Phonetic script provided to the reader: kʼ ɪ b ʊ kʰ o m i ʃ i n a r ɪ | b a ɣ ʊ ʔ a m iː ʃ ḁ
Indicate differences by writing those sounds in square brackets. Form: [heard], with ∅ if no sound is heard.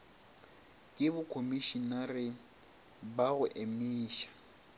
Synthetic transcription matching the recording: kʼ ɪ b ʊ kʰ o m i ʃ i n a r ɪ | b a ɣ ʊ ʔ [e] m iː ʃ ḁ

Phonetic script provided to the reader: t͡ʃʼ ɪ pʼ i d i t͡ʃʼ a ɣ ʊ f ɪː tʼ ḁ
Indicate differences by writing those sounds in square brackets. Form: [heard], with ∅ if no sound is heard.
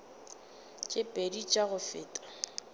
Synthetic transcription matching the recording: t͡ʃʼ ɪ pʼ [e] d i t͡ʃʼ a ɣ ʊ f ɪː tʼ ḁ

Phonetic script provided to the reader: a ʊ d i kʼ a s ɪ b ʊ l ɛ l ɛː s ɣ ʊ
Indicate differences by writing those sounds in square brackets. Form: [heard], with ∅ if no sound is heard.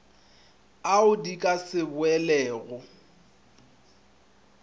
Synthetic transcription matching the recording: a ʊ d i kʼ a s ɪ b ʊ [∅] ɛ l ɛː [∅] ɣ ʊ

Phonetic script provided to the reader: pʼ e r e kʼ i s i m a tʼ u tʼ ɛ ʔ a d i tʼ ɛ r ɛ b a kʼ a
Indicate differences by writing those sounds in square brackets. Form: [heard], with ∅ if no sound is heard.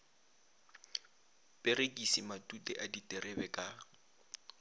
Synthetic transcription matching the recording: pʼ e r e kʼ i s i m a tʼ u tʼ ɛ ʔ a d i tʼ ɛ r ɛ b [ɛ] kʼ a

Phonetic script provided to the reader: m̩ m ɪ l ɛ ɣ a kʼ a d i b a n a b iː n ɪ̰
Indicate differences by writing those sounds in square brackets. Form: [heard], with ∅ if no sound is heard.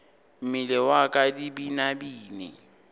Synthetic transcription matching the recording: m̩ m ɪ l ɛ [w] a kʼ a d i b [i] n a b iː n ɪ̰

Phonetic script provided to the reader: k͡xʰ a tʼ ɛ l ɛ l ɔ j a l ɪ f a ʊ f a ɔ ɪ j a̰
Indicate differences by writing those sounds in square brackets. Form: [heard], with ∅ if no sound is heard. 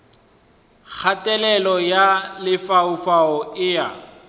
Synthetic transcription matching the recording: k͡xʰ a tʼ ɛ l ɛ l ɔ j a l ɪ f a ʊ f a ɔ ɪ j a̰

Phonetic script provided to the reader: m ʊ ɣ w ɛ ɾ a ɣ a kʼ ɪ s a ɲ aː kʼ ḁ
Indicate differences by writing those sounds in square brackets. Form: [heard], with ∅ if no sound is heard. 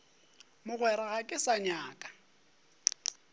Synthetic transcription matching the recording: m ʊ ɣ w ɛ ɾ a ɣ a kʼ ɪ s a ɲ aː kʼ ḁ

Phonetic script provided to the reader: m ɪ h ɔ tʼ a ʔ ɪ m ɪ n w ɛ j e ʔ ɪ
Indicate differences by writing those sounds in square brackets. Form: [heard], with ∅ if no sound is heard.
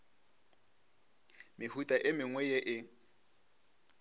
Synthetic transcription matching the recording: m ɪ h [u] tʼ a ʔ ɪ m ɪ [ŋ] w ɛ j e ʔ ɪ

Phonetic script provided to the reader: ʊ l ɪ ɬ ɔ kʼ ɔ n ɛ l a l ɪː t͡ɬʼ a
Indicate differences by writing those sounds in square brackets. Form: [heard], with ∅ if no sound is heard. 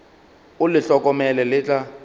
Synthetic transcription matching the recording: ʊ l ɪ ɬ ɔ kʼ ɔ [m] ɛ l [ɛ] l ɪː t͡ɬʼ a

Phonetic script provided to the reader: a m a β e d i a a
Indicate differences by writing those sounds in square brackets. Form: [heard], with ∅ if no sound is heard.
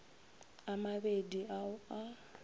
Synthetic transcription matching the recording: a m a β e d i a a

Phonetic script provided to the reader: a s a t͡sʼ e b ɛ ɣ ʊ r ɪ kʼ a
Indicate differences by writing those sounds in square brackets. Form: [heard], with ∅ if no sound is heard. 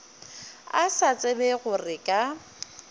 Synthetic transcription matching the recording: a s a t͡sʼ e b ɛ ɣ ʊ r ɪ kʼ a

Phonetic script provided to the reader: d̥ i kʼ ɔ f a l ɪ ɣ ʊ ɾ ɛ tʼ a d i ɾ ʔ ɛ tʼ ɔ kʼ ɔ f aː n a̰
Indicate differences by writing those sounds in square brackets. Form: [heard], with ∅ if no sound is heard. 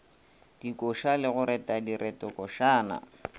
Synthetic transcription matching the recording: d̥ i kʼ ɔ [ʃ] a l ɪ ɣ ʊ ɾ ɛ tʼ a d i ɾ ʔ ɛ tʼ ɔ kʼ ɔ [ʃ] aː n a̰

